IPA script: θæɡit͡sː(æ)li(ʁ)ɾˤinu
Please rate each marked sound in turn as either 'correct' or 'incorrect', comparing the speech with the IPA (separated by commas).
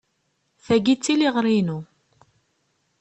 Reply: incorrect, correct